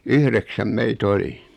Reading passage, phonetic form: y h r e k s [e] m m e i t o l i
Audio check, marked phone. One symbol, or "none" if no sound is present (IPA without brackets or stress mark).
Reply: æ